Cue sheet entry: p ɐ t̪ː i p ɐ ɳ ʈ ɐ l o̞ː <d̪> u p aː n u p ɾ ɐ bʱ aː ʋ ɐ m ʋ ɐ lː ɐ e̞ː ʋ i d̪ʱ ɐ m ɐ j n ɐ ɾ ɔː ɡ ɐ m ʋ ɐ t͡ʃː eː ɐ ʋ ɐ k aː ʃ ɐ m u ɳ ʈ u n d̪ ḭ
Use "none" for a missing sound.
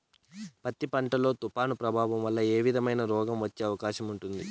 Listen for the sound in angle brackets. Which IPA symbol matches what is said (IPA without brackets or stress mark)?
t̪